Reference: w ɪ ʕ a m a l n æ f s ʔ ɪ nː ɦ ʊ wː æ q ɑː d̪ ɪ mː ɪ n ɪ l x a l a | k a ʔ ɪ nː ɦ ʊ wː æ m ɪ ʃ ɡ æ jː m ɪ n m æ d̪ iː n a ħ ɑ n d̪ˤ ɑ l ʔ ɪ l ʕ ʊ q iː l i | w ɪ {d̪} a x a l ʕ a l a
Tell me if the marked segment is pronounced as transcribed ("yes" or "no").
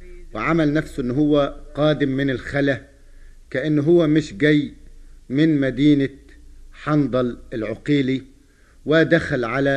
yes